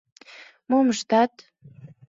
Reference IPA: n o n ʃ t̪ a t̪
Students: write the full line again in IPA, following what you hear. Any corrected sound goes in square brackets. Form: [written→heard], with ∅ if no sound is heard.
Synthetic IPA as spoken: [n→m] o [n→m] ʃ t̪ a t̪